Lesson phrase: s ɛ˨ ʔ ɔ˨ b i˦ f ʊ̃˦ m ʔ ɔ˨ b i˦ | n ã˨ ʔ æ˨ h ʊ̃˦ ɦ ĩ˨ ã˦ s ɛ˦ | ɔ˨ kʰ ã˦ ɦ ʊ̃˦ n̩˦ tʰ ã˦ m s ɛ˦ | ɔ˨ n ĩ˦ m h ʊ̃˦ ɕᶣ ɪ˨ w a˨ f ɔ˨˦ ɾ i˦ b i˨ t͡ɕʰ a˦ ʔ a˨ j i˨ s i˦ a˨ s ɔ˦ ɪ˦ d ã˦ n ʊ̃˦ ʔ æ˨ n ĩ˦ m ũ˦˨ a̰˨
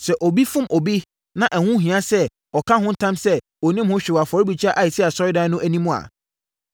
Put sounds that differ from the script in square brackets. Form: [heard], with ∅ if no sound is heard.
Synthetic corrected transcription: s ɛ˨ ʔ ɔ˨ b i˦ f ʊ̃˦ m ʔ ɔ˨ b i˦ | n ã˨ ʔ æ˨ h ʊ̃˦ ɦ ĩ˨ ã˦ s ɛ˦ | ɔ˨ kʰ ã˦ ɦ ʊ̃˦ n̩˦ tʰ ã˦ m s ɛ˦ | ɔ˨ n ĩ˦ m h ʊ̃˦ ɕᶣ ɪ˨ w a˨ f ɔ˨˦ ɾ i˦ b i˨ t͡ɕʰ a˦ ʔ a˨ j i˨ s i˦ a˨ s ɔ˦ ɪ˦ d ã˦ n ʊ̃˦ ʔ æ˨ n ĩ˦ m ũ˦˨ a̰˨